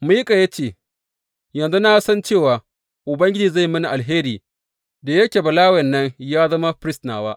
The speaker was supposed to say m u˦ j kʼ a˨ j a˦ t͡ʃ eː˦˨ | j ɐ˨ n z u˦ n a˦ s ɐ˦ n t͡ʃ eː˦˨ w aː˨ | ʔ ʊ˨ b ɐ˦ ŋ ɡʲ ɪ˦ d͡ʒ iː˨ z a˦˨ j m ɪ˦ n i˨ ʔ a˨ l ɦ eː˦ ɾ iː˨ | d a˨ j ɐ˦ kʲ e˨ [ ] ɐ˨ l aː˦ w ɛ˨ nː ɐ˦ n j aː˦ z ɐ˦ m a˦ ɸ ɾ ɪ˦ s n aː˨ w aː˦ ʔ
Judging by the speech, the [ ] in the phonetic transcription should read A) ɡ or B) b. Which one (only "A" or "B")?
B